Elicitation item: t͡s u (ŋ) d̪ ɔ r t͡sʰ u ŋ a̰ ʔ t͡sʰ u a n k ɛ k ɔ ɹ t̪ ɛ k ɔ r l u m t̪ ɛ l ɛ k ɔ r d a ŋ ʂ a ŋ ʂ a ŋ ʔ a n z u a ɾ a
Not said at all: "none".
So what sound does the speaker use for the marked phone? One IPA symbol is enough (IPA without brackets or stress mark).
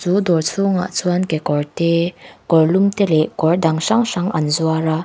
none